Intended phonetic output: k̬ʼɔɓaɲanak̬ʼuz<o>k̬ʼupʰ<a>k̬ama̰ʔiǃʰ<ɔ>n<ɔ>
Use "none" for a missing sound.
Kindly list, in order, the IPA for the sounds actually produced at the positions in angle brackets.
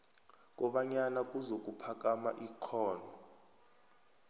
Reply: o, a, ɔː, ɔ

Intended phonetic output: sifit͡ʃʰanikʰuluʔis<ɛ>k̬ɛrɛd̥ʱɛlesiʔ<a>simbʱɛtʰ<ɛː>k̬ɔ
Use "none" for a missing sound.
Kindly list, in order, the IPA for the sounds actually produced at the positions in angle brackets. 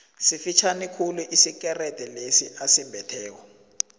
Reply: i, a, ɛː

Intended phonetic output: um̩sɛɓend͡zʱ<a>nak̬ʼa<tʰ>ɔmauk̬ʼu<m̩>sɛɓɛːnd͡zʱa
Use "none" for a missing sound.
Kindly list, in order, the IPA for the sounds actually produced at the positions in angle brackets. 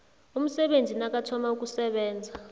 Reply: i, tʰ, none

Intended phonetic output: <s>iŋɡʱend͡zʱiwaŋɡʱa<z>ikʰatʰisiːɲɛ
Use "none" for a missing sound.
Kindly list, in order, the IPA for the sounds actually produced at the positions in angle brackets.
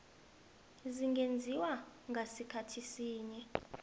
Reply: z, s

